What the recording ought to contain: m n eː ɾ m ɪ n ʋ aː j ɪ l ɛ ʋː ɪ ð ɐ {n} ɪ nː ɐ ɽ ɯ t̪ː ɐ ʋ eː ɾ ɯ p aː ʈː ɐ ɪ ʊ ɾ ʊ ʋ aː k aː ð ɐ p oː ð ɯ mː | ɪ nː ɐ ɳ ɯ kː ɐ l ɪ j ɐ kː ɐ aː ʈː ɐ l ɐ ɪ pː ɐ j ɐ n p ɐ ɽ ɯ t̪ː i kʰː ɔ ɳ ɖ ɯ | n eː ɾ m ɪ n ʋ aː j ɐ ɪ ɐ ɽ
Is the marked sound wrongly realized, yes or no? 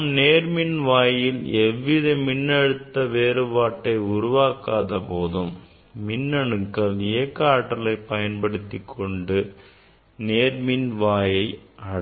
yes